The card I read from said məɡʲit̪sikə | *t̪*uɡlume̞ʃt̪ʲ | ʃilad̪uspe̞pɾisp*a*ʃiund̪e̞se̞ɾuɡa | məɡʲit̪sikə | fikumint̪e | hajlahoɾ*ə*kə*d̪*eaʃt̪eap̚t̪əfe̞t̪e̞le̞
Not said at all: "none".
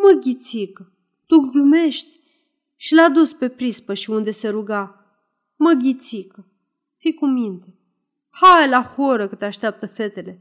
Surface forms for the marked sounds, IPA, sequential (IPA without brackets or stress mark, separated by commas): t̪, ə, ə, t̪